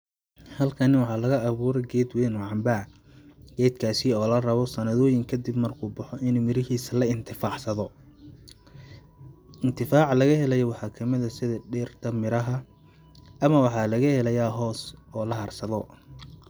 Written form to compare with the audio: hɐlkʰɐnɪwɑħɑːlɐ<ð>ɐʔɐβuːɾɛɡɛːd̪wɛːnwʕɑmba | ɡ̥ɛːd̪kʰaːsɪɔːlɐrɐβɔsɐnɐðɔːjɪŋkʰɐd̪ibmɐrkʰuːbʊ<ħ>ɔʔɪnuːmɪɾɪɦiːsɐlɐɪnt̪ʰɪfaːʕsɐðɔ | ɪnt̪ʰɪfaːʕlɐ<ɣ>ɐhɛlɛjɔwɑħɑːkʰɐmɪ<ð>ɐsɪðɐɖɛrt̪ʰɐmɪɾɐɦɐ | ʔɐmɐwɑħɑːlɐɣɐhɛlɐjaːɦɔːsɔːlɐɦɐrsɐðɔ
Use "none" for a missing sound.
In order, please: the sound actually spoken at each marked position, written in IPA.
ɣ, ħ, ɣ, ð

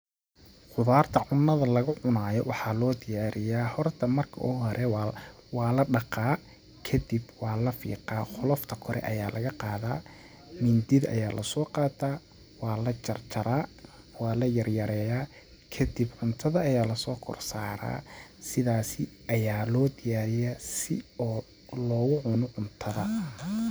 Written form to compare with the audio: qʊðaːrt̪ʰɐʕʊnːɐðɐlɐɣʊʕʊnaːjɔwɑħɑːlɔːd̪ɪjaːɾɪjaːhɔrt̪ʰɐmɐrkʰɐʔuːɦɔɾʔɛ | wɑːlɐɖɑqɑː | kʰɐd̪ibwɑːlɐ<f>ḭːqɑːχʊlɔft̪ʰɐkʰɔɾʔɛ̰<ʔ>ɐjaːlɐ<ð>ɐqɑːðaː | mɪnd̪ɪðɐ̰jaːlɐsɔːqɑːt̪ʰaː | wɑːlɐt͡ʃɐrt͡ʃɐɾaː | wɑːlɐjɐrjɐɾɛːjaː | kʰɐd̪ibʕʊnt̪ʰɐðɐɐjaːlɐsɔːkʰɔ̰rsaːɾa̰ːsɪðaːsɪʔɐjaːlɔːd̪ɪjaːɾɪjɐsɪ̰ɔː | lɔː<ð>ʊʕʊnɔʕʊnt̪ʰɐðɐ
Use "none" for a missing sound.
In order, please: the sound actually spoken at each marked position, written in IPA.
f, ʔ, ɣ, ɣ

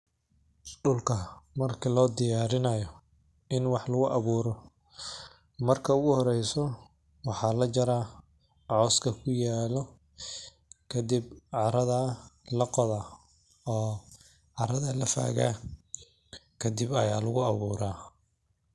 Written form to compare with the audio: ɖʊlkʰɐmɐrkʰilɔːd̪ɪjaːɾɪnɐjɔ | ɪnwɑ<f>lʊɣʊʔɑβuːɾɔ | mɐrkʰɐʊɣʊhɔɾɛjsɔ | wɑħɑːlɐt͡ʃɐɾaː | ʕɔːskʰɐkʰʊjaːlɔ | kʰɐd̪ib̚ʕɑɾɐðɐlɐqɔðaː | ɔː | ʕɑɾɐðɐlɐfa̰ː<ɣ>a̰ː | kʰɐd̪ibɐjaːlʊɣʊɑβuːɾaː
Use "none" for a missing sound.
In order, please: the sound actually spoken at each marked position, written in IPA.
ħ, ɣ

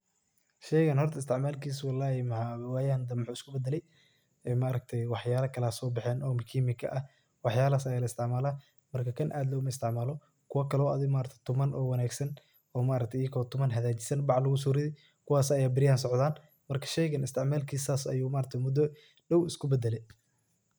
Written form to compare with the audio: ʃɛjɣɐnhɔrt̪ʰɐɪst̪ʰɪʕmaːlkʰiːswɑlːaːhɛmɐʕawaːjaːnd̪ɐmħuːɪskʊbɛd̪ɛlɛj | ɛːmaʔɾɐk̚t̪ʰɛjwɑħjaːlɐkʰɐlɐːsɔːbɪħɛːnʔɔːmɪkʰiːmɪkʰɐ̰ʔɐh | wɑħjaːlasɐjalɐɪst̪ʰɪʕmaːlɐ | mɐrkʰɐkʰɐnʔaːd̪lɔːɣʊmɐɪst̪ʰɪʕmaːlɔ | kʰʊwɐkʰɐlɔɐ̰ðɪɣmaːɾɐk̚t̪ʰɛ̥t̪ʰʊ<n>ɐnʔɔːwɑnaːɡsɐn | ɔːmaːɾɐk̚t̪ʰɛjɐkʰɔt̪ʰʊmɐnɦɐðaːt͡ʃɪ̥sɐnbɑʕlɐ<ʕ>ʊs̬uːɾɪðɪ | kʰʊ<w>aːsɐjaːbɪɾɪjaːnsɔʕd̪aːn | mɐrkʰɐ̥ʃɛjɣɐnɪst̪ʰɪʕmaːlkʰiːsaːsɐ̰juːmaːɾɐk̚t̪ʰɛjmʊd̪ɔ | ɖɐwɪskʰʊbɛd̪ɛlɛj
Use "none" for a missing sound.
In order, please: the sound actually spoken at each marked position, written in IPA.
m, ɣ, w

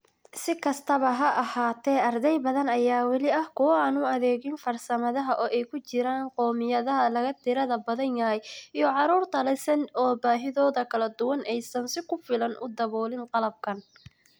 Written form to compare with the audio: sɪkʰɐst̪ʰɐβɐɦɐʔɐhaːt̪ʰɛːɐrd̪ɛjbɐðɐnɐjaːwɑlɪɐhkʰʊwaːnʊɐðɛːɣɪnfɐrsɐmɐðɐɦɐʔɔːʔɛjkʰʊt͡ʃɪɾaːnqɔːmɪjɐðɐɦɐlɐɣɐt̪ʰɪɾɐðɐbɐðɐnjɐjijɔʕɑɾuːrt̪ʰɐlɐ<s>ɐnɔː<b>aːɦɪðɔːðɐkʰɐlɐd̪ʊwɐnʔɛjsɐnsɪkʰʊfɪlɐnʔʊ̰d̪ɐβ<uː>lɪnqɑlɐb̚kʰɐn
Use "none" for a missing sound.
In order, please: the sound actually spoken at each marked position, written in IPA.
s, b, ɔː

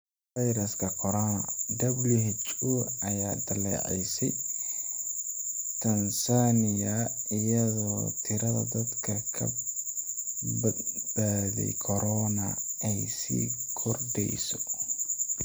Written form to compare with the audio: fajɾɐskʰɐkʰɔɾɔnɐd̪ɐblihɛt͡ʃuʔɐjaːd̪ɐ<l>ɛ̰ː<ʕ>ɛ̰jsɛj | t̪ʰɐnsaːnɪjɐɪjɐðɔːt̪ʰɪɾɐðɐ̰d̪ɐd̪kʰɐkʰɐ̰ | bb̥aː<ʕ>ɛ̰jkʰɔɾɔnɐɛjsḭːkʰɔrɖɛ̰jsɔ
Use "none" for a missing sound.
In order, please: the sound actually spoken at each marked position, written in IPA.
l, ʕ, ð

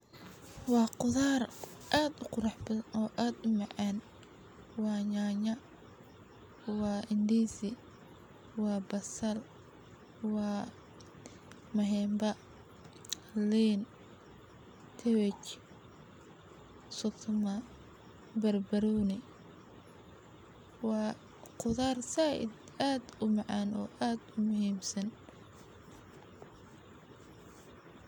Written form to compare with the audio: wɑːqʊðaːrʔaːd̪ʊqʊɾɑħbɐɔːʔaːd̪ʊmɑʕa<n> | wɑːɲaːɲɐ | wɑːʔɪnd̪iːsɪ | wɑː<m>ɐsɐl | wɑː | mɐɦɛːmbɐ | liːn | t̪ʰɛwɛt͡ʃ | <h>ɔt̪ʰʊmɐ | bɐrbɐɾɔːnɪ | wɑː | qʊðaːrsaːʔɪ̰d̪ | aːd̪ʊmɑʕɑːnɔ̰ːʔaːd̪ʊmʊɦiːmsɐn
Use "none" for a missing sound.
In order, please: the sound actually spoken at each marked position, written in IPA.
n, b, s

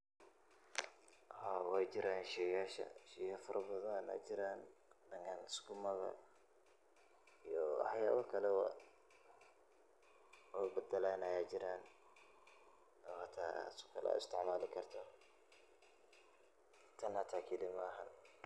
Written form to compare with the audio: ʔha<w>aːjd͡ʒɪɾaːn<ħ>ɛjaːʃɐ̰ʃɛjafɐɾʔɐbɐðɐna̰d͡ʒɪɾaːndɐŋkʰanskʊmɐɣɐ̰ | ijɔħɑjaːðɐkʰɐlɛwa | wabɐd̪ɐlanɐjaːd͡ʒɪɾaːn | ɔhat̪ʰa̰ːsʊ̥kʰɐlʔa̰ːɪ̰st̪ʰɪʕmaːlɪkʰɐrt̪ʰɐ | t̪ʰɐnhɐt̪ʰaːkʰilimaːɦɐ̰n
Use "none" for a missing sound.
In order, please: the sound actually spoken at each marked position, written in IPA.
w, ʃ

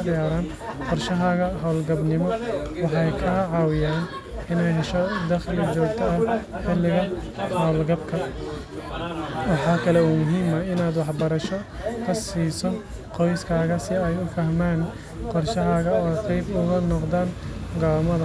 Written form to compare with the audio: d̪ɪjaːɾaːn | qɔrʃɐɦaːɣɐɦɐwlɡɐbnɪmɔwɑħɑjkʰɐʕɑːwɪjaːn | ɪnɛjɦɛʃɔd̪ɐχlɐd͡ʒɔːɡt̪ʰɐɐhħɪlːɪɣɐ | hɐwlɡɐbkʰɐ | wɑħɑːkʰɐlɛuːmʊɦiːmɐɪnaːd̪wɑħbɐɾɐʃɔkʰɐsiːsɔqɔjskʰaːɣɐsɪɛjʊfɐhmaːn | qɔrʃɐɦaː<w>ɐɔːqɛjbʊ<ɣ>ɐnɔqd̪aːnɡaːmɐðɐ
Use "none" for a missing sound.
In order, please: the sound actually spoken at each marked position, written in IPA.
ɣ, ɣ

